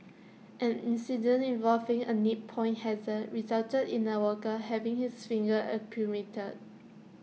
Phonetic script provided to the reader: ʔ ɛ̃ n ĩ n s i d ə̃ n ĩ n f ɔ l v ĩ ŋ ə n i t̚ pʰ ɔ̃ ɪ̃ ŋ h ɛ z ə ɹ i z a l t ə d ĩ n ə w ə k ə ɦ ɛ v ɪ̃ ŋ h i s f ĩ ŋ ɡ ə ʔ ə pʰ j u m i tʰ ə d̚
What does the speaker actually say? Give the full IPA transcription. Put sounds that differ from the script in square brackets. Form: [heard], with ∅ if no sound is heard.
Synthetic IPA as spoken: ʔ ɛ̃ n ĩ n s i d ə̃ n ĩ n [v] ɔ l v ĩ ŋ ə n i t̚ pʰ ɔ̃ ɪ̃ [n] h ɛ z ə ɹ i z a l t ə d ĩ n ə w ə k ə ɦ ɛ v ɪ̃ ŋ h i s f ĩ ŋ ɡ ə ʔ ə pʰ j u m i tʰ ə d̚